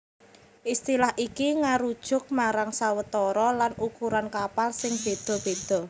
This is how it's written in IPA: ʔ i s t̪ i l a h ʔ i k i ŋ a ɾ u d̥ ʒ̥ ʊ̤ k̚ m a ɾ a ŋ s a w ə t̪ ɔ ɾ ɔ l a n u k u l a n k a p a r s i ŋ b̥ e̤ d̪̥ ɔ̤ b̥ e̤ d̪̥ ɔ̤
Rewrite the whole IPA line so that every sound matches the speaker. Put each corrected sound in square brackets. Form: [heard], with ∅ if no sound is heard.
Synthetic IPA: ʔ i s t̪ i l a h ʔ i k i ŋ a ɾ u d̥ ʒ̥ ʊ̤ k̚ m a ɾ a ŋ s a w ə t̪ ɔ ɾ ɔ l a n u k u [ɾ] a n k a p a [l] s [ɪ] ŋ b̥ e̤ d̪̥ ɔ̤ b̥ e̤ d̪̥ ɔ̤